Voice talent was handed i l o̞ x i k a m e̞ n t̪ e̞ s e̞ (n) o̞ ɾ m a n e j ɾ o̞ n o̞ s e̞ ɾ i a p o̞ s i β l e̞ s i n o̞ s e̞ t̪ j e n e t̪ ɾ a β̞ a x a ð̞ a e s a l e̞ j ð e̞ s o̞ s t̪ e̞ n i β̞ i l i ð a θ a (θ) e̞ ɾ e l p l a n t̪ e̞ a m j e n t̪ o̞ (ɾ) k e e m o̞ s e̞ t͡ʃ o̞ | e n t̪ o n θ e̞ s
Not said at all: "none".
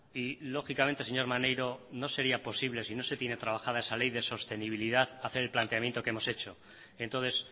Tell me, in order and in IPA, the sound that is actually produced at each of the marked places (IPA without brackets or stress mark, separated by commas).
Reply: ɲ, θ, none